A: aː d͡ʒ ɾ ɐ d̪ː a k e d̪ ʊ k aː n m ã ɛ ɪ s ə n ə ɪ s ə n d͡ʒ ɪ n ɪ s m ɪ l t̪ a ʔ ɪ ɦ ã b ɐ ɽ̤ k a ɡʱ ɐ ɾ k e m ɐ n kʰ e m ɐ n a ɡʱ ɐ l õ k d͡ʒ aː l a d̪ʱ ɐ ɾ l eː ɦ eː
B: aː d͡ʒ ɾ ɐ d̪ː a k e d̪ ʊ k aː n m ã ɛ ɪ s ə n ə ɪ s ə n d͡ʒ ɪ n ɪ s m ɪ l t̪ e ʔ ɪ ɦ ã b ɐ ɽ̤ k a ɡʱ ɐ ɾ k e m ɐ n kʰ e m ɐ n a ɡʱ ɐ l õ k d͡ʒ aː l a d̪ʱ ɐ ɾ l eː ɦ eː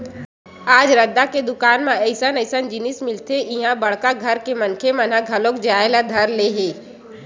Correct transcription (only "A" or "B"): B